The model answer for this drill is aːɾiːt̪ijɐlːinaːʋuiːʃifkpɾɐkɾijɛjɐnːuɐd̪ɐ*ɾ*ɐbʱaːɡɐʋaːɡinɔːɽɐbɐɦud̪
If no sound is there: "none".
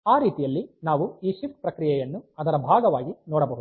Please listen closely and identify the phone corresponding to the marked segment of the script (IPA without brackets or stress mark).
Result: ɾ